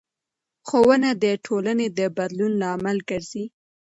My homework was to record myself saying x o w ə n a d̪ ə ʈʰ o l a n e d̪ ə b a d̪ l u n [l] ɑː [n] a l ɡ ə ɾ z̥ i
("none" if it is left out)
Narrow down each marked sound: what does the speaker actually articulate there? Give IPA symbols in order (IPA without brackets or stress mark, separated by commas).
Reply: l, m